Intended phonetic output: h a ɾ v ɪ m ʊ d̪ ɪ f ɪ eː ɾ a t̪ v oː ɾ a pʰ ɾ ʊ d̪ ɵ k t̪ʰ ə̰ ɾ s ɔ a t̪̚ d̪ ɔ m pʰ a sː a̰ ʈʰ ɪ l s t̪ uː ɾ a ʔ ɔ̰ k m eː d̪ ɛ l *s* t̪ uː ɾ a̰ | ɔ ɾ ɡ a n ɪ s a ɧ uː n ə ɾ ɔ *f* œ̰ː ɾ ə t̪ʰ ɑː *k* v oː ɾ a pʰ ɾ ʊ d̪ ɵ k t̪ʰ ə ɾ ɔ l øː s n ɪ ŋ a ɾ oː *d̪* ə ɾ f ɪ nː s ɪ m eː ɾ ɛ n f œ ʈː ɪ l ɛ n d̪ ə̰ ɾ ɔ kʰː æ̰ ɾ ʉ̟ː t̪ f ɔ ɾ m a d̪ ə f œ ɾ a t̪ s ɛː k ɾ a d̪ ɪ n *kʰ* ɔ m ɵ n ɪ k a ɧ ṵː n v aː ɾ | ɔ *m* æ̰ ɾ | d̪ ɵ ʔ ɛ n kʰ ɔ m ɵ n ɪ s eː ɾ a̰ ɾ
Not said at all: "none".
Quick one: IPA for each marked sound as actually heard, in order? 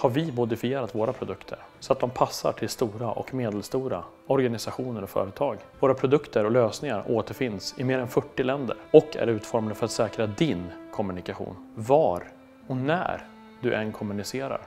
s, f, ɡ, t̪, kʰ, n

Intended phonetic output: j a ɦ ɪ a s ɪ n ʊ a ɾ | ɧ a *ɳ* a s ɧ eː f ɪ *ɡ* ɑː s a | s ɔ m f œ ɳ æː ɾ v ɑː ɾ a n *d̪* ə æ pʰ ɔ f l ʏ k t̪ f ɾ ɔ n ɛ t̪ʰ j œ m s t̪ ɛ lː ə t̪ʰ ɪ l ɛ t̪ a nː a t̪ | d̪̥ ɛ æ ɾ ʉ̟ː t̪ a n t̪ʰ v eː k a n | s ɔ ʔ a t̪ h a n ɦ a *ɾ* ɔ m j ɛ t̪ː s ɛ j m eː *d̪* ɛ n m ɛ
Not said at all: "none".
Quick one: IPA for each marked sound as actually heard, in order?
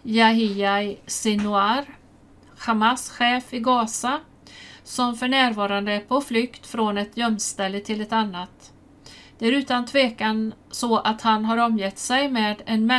m, ɡ, d̪, ɾ, d̪

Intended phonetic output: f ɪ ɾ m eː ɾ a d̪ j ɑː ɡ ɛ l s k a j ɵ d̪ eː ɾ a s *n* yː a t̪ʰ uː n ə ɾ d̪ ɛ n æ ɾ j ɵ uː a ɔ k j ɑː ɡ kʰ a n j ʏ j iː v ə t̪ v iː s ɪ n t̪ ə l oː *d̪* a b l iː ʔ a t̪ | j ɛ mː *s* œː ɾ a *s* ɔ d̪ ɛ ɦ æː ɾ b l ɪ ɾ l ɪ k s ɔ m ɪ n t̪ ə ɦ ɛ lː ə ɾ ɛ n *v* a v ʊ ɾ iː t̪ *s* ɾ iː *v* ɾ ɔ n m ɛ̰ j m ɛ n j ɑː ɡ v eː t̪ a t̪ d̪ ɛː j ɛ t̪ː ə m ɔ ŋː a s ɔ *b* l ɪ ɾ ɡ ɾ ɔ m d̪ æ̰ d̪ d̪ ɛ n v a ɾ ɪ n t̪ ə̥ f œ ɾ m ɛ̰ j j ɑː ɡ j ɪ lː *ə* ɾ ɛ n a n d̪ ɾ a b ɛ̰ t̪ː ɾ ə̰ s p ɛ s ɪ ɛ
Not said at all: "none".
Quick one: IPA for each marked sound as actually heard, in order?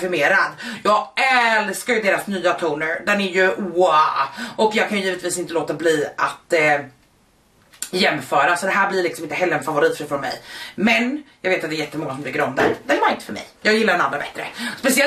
n, t̪, f, s, f, f, f, m, a

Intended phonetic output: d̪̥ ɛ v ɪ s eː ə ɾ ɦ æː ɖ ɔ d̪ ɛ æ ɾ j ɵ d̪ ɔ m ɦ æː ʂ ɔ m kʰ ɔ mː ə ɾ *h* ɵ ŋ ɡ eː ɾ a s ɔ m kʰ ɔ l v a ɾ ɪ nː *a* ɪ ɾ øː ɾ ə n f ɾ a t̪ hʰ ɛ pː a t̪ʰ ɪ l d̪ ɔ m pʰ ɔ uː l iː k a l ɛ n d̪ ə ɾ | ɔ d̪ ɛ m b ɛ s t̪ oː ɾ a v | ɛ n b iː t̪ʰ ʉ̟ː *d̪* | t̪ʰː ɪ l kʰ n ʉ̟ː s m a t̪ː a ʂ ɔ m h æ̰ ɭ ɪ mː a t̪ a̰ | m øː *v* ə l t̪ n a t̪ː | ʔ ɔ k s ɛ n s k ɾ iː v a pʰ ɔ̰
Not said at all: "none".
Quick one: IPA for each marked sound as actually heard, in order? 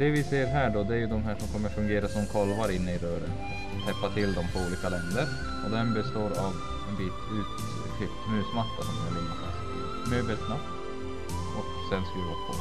f, ə, t̪, b

